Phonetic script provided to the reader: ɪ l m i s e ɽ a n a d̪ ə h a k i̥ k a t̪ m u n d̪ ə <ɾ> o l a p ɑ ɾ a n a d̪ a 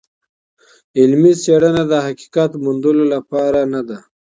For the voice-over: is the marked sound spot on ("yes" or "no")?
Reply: no